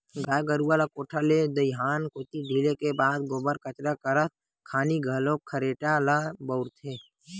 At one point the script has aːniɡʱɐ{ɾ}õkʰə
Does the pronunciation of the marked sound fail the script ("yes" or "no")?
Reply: yes